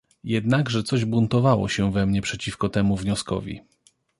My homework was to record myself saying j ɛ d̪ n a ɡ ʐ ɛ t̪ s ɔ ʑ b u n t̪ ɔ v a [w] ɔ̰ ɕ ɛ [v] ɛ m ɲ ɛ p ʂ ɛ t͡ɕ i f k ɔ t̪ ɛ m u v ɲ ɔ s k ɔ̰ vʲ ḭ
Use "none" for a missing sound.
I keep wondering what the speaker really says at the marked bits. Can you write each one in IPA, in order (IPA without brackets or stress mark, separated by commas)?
w, v